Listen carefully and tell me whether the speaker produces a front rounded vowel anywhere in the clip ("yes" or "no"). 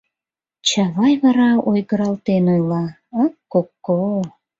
no